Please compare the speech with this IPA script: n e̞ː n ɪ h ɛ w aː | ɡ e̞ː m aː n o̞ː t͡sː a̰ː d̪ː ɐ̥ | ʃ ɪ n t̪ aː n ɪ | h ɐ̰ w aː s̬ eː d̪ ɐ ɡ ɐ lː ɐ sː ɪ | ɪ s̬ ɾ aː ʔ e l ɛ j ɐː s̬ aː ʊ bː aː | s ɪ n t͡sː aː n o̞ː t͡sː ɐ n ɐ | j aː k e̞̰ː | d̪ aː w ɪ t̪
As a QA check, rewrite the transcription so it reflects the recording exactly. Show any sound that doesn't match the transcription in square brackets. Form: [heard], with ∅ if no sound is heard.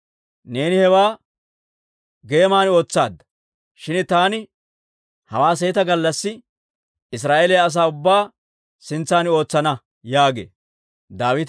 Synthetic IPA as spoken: n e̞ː n ɪ h ɛ w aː | ɡ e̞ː m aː n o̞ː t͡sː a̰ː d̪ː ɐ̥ | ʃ ɪ n t̪ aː n ɪ | h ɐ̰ w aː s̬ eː [t̪] ɐ ɡ ɐ lː ɐ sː ɪ | ɪ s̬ ɾ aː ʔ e l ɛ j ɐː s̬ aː ʊ bː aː | s ɪ n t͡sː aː n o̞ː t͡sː ɐ n ɐ | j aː [ɡ] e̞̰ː | d̪ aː w ɪ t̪